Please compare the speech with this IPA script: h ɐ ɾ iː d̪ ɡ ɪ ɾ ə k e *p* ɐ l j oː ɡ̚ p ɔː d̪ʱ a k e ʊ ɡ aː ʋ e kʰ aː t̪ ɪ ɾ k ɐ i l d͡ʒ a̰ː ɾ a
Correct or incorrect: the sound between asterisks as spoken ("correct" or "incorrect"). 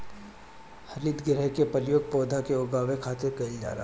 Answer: correct